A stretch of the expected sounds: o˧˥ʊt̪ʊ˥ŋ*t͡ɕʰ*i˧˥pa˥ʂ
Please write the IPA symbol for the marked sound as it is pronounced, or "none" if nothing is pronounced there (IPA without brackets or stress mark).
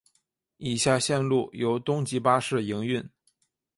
t͡ɕ